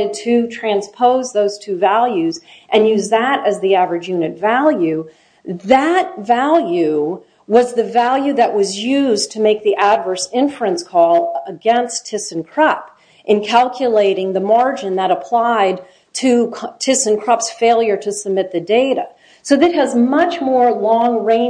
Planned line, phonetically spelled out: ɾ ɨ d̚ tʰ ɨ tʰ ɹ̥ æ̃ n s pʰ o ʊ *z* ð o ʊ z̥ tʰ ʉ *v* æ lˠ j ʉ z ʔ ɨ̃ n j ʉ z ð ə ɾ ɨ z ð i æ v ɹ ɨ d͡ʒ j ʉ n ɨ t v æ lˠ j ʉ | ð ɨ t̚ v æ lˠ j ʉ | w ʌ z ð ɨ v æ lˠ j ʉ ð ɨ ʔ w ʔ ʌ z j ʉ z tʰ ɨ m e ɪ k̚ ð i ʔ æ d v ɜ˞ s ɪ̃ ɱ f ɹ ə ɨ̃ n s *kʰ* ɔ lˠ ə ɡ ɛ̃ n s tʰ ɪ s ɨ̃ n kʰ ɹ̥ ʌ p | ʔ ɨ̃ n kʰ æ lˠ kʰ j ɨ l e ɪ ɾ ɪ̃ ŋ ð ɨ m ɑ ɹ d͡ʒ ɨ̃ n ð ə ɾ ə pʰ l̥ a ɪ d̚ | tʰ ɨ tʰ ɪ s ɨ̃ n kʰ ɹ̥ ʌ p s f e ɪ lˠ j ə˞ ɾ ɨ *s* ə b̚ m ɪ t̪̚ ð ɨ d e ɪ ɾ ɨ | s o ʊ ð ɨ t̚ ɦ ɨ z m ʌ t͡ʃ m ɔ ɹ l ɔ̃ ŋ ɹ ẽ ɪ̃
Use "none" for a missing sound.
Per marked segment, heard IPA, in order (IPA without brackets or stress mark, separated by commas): z, v, kʰ, s